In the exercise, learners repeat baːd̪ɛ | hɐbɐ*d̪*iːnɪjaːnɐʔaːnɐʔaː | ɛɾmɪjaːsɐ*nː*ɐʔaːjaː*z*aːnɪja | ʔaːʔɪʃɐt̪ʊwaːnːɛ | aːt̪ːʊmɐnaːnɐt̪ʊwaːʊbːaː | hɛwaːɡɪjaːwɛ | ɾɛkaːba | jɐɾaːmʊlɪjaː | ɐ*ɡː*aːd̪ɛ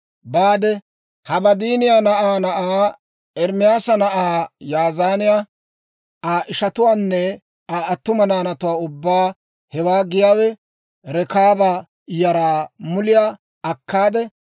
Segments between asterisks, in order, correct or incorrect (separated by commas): correct, incorrect, correct, incorrect